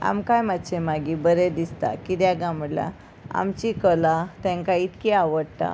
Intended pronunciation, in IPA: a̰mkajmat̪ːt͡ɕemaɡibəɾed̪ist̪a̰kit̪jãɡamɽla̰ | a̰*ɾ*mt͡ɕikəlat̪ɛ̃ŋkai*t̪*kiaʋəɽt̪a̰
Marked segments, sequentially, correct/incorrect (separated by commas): incorrect, correct